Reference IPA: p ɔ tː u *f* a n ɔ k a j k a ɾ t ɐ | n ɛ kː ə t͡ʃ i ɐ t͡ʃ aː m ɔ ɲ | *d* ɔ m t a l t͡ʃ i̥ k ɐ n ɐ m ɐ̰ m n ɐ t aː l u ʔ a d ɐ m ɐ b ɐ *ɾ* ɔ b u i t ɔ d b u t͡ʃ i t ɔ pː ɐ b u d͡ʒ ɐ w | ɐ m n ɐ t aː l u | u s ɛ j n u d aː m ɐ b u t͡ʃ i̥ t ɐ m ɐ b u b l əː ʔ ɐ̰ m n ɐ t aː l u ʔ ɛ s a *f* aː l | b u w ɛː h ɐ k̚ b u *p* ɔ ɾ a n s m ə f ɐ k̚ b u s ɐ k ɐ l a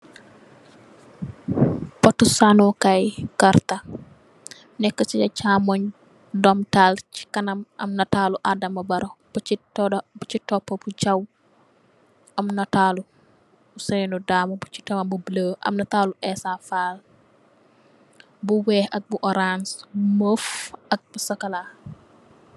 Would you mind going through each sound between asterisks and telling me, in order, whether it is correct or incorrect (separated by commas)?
incorrect, correct, correct, correct, incorrect